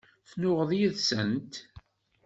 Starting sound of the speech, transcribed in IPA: θ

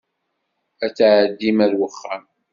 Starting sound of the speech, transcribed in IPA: æ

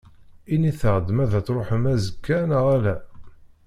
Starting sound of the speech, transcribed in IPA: i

